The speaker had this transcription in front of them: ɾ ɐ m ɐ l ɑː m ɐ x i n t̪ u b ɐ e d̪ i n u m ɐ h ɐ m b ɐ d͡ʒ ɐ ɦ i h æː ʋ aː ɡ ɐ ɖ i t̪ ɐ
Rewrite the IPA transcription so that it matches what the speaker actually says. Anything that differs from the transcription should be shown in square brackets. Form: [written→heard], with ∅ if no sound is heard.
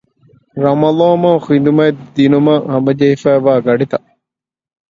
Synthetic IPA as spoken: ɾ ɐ m ɐ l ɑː m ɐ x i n [t̪→d̪] u [b→m] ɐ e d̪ i n u m ɐ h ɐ m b ɐ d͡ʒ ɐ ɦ i [h→f] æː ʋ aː ɡ ɐ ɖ i t̪ ɐ